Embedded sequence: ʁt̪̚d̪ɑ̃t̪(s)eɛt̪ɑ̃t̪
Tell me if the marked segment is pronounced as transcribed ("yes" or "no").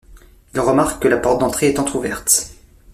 no